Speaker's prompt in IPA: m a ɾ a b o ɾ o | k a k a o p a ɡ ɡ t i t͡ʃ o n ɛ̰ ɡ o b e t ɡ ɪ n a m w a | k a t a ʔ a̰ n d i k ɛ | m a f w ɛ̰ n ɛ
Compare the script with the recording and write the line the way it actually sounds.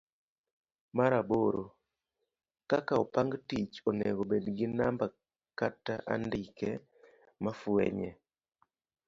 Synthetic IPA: m a ɾ a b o ɾ o | k a k a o p a ŋ ɡ t i t͡ʃ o n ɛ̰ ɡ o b e d ɡ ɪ n a m b a | k a t a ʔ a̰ n d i k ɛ | m a f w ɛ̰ ɲ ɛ